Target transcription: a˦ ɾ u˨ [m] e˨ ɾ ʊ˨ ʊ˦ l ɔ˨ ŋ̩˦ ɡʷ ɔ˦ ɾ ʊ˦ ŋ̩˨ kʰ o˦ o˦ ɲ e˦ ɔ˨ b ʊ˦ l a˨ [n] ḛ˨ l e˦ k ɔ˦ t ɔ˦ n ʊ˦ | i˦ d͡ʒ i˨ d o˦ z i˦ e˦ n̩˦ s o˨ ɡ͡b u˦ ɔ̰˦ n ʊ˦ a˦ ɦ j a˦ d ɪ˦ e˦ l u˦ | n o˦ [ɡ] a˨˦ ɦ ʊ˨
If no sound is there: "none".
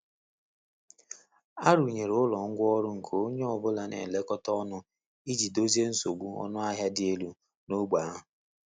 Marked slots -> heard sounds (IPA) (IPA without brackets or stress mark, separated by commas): ɲ, n, ɡ͡b